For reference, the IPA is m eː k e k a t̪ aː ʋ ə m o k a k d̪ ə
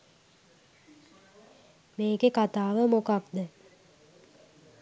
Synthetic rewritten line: m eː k e k a t̪ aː ʋ ə m o k a k d̪ ə